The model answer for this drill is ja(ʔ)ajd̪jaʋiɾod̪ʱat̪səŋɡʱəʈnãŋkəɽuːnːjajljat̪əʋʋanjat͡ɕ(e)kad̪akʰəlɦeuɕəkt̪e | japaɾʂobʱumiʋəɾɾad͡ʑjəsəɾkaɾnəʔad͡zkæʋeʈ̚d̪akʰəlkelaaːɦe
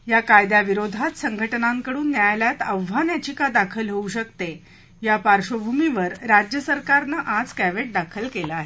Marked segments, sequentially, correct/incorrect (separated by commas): incorrect, incorrect